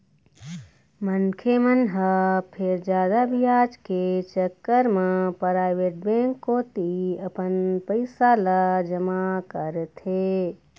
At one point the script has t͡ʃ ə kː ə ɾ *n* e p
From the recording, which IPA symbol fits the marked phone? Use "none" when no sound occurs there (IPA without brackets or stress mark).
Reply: m